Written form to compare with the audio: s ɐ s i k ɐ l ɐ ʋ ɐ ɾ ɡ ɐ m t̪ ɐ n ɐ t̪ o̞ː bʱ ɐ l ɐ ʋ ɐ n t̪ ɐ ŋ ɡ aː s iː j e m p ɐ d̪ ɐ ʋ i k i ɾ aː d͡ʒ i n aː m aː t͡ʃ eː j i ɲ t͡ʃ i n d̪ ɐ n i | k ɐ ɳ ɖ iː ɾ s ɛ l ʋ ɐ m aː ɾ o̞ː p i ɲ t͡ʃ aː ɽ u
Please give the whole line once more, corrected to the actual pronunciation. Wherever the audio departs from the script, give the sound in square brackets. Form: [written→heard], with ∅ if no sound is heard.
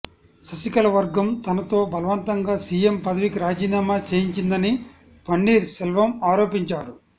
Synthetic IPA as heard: s ɐ s i k ɐ l ɐ ʋ ɐ ɾ ɡ ɐ m t̪ ɐ n ɐ t̪ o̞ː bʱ ɐ l ɐ ʋ ɐ n t̪ ɐ ŋ ɡ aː s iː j e m p ɐ d̪ ɐ ʋ i k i ɾ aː d͡ʒ [i→iː] n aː m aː t͡ʃ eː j i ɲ t͡ʃ i n d̪ ɐ n i | [k→p] ɐ ɳ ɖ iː ɾ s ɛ l ʋ ɐ m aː ɾ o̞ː p i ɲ t͡ʃ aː [ɽ→ɾ] u